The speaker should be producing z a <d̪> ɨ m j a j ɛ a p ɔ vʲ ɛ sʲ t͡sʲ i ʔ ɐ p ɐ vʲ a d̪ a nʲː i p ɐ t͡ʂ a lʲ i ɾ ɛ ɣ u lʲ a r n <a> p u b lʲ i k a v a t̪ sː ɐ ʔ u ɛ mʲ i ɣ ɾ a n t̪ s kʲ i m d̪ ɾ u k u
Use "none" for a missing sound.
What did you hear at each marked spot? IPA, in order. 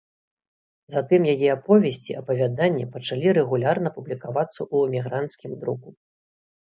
t̪, ɐ

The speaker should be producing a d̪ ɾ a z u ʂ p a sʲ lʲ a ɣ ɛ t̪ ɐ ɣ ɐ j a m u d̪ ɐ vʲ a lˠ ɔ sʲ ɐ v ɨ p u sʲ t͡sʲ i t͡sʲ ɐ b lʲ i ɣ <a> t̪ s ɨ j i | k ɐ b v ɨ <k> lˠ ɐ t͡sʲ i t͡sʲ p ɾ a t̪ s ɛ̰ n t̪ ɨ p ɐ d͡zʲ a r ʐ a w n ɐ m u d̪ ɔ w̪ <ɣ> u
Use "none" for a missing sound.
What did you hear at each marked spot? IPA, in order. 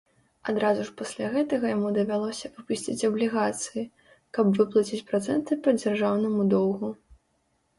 a, p, ɣ

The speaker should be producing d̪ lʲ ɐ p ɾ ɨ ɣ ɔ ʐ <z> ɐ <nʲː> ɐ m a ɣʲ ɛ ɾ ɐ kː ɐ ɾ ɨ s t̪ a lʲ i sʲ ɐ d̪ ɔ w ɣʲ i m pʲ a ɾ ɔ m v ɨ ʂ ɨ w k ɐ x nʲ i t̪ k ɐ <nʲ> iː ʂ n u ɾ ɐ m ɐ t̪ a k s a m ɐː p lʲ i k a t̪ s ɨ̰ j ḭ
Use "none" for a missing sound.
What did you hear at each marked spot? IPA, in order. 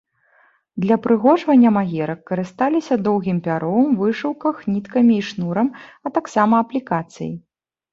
v, nʲː, mʲ

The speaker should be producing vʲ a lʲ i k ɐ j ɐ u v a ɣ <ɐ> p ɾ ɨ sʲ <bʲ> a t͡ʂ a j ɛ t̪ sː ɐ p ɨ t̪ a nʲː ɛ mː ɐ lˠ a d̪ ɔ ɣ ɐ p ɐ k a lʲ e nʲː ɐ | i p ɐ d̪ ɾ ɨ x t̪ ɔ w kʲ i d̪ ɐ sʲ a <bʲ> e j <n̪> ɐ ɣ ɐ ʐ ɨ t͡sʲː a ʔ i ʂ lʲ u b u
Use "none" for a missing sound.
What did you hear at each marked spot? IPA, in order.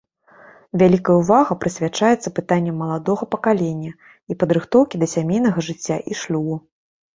ɐ, vʲ, mʲ, n̪

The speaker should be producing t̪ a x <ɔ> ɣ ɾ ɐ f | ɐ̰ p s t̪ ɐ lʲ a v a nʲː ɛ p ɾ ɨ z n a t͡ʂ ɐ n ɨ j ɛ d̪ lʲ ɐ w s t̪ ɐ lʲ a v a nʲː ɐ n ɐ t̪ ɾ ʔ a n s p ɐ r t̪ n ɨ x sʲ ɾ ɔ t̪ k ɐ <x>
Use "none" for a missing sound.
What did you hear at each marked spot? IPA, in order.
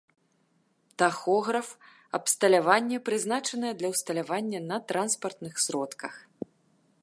ɔ, x

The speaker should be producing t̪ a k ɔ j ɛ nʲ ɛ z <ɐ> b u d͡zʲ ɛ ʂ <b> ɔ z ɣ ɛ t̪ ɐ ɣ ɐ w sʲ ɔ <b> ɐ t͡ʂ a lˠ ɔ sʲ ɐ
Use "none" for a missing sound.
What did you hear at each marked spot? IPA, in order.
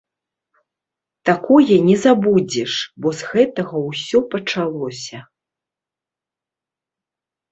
a, b, p

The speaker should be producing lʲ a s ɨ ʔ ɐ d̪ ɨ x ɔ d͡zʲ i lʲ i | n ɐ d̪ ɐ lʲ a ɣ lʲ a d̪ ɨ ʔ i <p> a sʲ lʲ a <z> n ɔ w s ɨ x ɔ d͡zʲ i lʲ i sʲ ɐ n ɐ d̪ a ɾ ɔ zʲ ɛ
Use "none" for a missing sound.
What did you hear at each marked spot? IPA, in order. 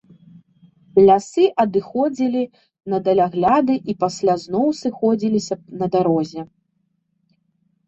p, z

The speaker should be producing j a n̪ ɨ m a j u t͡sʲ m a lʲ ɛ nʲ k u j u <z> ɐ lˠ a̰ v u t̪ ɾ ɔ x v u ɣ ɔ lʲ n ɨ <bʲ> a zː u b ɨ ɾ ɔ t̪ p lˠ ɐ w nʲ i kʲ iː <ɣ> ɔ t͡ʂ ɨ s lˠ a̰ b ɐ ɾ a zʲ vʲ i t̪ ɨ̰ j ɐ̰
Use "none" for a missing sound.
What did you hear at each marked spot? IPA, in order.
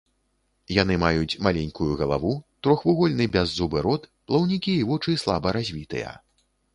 ɣ, bʲ, v

